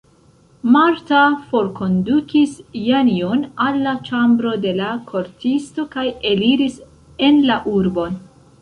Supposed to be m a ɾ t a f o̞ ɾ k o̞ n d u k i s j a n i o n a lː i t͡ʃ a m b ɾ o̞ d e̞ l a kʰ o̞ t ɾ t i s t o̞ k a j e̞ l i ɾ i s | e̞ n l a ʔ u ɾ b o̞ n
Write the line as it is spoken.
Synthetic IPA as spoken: m a ɾ t a f o̞ ɾ k o̞ n d u k i s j a n i o n a lː a t͡ʃ a m b ɾ o̞ d e̞ l a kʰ o̞ ɾ t i s t o̞ k a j e̞ l i ɾ i s | e̞ n l a ʔ u ɾ b o̞ n